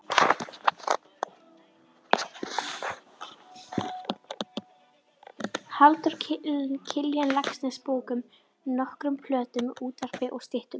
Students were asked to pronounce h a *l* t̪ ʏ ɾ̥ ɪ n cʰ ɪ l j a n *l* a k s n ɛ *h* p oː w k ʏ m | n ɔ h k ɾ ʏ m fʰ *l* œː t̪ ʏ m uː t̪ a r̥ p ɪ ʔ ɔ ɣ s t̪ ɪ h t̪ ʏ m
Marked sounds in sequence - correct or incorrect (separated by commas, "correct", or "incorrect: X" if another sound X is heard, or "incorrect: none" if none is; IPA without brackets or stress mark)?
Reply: correct, correct, incorrect: s, correct